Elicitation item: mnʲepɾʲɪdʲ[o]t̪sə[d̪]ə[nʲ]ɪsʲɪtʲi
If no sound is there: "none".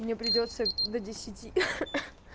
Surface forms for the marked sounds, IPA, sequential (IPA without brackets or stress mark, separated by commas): o, d̪, dʲ